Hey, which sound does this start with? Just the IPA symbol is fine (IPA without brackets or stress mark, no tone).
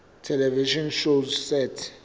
tʰ